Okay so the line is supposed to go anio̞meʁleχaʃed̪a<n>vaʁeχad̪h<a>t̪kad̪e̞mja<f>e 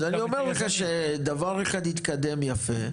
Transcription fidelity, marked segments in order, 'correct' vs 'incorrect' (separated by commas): incorrect, incorrect, correct